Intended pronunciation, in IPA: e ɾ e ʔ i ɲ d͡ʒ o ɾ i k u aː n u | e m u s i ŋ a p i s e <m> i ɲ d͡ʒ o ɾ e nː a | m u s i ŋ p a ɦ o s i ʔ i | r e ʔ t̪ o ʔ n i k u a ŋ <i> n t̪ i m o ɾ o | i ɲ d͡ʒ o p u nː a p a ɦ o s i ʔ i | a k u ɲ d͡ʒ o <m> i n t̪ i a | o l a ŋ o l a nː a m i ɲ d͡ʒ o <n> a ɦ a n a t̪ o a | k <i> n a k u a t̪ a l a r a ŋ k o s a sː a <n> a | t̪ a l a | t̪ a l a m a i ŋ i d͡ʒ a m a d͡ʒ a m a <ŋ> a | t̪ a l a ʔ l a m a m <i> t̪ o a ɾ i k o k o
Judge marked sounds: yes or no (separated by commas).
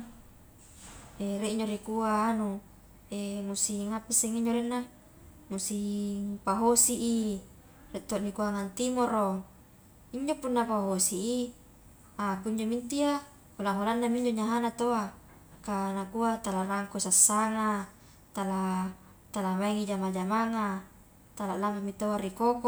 no, no, yes, no, no, no, yes, yes